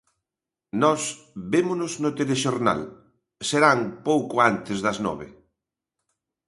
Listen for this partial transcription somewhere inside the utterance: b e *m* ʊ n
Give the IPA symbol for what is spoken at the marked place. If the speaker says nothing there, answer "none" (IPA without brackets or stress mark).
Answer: m